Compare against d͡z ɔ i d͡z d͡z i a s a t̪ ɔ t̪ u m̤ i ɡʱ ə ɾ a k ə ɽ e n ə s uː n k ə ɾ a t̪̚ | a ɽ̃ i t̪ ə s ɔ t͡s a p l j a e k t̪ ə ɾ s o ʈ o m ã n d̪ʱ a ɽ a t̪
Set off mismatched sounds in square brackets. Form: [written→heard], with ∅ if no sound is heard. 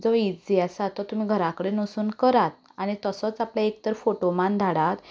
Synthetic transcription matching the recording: d͡z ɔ i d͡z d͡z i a s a t̪ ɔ t̪ u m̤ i ɡʱ ə ɾ a k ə ɽ e n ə s uː n k ə ɾ a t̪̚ | a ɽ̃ i t̪ ə s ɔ t͡s a p l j a e k t̪ ə ɾ [s→f] o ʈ o m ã n d̪ʱ a ɽ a t̪